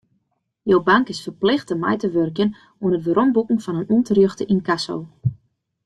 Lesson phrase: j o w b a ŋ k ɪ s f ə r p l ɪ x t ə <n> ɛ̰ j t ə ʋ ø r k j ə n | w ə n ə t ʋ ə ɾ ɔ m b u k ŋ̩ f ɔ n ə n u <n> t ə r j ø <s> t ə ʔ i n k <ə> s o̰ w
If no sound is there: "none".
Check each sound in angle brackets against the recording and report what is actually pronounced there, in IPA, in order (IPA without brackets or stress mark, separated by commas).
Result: m, n, x, a